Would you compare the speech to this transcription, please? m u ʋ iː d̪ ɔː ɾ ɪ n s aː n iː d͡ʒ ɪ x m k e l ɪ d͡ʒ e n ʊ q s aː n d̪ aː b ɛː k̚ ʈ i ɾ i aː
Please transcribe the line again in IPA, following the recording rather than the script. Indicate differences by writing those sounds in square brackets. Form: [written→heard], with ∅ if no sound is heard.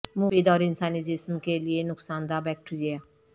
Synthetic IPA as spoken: m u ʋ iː d̪ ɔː ɾ ɪ n s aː n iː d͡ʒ ɪ [x→s] m k e l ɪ [d͡ʒ→∅] e n ʊ [q→k] s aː n d̪ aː b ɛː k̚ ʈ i ɾ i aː